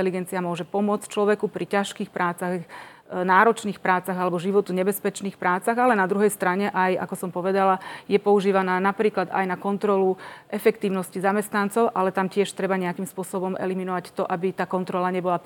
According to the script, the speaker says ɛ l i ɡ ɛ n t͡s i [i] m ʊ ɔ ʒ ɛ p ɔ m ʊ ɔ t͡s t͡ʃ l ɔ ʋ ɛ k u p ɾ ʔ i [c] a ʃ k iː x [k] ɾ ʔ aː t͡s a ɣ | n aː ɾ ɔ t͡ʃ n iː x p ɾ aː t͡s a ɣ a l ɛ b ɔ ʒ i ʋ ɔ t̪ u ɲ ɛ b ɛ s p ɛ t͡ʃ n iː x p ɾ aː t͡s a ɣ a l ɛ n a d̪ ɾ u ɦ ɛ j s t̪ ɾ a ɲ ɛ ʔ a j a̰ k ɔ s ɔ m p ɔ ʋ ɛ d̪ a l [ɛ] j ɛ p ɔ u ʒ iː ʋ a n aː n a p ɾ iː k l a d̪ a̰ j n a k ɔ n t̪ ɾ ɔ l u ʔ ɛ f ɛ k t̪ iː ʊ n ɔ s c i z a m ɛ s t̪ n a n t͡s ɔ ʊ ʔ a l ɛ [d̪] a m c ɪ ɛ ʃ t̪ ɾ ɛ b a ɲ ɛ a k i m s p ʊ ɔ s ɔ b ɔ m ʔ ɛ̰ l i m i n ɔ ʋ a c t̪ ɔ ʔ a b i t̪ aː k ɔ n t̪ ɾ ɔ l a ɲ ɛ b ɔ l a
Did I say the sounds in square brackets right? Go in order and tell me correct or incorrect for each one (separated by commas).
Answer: incorrect, correct, incorrect, incorrect, incorrect